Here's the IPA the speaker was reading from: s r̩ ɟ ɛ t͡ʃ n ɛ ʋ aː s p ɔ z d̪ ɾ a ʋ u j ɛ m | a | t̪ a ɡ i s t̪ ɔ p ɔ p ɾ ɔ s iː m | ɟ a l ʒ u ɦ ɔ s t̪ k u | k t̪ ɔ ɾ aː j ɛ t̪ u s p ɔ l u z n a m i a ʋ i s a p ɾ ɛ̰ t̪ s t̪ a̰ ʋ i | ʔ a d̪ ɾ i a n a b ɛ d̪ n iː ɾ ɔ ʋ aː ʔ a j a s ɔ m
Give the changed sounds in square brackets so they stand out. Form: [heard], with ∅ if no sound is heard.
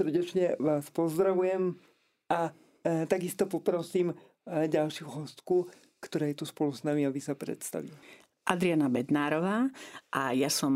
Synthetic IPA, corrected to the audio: s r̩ ɟ ɛ t͡ʃ [ɲ] ɛ ʋ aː s p ɔ z d̪ ɾ a ʋ u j ɛ m | a | t̪ a ɡ i s t̪ ɔ p ɔ p ɾ ɔ s iː m | ɟ a l [ʃ] u ɦ ɔ s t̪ k u | k t̪ ɔ ɾ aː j ɛ t̪ u s p ɔ l u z n a m i a ʋ i s a p ɾ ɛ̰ t̪ s t̪ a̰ ʋ i | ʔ a d̪ ɾ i a n a b ɛ d̪ n [aː] ɾ ɔ ʋ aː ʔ a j a s ɔ m